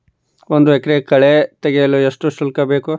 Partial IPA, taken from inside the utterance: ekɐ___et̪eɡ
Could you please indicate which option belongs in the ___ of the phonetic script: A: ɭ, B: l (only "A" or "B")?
A